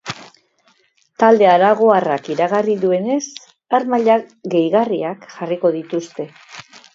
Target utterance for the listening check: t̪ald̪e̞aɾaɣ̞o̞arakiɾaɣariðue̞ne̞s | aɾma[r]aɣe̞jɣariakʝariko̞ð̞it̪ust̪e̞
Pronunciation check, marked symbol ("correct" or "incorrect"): incorrect